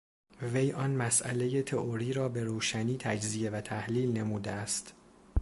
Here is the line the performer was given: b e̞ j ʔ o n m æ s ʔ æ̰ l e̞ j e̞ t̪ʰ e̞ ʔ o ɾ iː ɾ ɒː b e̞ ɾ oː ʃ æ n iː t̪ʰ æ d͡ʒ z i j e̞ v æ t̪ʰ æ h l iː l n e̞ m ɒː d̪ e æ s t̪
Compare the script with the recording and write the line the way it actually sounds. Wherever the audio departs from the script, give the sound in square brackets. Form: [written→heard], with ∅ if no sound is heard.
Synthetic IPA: [b→v] e̞ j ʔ [o→ɒ] n m æ s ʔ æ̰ l e̞ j e̞ t̪ʰ e̞ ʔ o ɾ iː ɾ ɒː b e̞ ɾ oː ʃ æ n iː t̪ʰ æ d͡ʒ z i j e̞ v æ t̪ʰ æ h l iː l n e̞ m [ɒː→uː] d̪ e æ s t̪